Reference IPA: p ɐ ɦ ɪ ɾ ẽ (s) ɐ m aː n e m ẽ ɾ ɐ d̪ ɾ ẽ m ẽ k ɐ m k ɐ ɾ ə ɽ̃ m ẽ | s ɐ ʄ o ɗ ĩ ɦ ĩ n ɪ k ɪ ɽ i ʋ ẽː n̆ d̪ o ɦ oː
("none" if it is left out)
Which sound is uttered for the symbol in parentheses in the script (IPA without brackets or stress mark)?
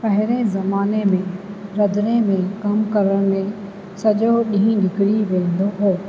z